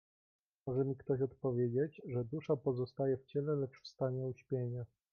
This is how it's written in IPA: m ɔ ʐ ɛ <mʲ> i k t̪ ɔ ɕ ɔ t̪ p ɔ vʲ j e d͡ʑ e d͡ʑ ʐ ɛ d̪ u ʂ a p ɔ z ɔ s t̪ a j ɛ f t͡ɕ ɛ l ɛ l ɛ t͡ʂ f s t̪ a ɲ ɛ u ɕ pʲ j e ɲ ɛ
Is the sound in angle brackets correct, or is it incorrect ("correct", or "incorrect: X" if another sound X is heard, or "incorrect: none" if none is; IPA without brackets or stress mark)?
correct